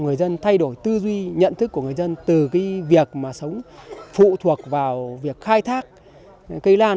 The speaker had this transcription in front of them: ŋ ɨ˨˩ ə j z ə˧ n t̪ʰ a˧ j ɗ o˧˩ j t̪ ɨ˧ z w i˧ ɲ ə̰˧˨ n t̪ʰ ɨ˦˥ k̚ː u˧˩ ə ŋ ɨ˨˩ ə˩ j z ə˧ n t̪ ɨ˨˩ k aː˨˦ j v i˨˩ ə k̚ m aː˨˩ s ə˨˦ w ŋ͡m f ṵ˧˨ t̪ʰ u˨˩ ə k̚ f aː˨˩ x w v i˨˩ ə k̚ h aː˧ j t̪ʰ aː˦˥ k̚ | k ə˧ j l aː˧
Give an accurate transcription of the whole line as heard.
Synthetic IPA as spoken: ŋ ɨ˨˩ ə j z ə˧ n t̪ʰ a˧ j ɗ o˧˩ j t̪ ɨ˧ z w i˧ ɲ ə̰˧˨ n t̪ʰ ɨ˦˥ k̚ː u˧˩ ə ŋ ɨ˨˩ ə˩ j z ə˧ n t̪ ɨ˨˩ k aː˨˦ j v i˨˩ ə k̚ m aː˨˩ s ə˨˦ w ŋ͡m f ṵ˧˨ t̪ʰ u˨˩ ə k̚ v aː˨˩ w v i˨˩ ə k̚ x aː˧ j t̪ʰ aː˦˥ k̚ | k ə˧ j l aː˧